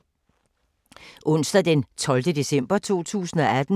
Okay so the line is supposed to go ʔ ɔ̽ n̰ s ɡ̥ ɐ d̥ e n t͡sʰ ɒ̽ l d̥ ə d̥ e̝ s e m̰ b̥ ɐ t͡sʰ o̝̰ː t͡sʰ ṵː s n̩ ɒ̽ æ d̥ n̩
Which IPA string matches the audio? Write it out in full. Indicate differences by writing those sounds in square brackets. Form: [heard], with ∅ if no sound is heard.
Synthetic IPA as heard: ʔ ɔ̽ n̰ s [d̥] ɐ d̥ e n t͡sʰ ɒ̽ l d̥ ə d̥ e̝ s e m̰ b̥ ɐ t͡sʰ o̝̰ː t͡sʰ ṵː s n̩ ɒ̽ æ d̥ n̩